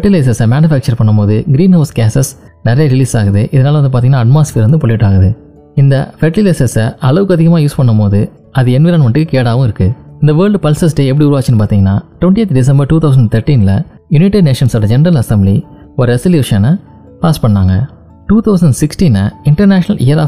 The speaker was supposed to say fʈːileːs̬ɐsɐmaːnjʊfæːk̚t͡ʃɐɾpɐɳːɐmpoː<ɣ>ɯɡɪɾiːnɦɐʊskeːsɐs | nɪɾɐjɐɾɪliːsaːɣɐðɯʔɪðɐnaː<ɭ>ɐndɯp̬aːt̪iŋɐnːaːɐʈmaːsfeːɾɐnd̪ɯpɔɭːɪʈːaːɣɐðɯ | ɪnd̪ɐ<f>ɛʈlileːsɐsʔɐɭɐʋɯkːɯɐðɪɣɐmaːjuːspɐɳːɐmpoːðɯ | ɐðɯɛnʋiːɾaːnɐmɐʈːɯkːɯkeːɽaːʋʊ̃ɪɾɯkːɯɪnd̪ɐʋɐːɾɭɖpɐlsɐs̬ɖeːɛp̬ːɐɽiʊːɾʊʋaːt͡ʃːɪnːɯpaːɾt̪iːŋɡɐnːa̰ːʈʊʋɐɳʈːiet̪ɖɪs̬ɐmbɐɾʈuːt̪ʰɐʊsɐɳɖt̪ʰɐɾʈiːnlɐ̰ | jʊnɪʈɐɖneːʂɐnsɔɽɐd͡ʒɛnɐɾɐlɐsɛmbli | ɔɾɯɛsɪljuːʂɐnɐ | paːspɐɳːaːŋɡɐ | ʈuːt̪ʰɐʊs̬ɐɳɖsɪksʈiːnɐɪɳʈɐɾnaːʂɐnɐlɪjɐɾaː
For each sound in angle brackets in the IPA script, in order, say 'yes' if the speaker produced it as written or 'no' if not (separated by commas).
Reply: no, no, yes